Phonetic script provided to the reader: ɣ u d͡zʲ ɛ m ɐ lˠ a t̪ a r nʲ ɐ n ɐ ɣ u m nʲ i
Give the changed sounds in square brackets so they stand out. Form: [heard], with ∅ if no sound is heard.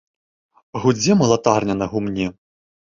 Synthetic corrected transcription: ɣ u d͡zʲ ɛ m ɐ lˠ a t̪ a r nʲ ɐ n ɐ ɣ u m nʲ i